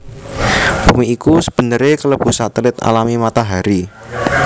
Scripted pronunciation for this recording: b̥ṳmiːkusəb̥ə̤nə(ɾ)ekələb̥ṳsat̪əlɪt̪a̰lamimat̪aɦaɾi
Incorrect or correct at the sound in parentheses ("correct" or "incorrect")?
correct